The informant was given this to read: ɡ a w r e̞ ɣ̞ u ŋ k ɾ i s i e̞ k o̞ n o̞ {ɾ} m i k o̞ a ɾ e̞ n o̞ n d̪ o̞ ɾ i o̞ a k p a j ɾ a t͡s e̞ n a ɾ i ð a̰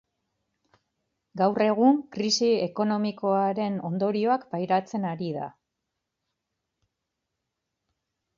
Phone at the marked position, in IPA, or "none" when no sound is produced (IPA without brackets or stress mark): none